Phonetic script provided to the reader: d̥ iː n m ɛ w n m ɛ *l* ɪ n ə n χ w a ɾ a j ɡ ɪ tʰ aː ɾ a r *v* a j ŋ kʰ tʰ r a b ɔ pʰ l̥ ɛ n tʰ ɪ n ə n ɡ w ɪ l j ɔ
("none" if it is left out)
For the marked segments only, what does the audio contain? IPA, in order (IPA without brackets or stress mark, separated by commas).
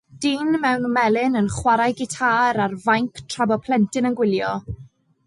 l, v